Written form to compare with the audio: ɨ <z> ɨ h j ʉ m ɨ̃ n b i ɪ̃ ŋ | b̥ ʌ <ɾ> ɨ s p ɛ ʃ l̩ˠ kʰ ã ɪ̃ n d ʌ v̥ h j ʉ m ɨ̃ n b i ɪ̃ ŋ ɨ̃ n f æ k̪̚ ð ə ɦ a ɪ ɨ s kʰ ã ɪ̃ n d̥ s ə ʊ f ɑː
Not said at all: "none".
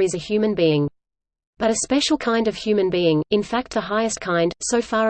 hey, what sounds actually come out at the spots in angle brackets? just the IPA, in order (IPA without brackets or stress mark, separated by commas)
z, ɾ